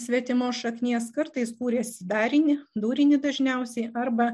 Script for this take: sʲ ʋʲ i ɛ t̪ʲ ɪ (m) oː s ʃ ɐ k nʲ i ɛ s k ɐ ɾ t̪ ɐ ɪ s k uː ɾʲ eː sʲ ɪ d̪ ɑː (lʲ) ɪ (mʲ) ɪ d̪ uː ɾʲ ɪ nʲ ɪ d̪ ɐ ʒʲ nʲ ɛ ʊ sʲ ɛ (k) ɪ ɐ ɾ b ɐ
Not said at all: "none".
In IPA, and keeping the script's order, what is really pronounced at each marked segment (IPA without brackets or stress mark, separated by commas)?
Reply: m, ɾʲ, nʲ, none